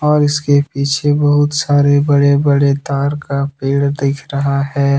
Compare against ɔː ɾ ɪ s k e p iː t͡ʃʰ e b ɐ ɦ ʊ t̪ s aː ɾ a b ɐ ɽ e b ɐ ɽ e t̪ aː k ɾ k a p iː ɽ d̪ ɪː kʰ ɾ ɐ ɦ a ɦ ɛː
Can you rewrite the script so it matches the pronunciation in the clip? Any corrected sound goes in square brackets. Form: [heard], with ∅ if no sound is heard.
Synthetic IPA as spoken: ɔː ɾ ɪ s k e p iː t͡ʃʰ e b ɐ ɦ ʊ t̪ s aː ɾ [e] b ɐ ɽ e b ɐ ɽ e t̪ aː [∅] ɾ k a p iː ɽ d̪ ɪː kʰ ɾ ɐ ɦ a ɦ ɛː